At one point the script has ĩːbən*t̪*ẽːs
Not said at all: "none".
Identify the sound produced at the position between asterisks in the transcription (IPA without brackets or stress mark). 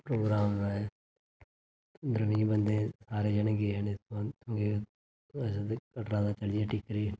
d̪